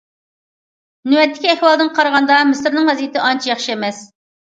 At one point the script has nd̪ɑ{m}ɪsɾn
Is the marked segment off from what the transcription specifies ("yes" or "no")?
no